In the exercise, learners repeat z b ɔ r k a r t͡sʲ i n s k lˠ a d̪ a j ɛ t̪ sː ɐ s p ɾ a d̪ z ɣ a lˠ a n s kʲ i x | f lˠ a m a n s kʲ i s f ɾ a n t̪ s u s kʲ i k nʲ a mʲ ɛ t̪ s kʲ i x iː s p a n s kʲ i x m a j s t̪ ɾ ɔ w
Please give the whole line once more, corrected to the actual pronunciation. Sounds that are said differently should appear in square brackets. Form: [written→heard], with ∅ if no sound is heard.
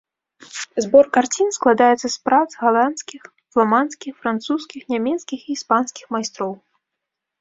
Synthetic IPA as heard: z b ɔ r k a r t͡sʲ i n s k lˠ a d̪ a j ɛ t̪ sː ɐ s p ɾ a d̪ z ɣ a lˠ a n s kʲ i x | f lˠ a m a n s kʲ i [s→x] f ɾ a n t̪ s u s kʲ i [k→x] nʲ a mʲ ɛ t̪ s kʲ i x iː s p a n s kʲ i x m a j s t̪ ɾ ɔ w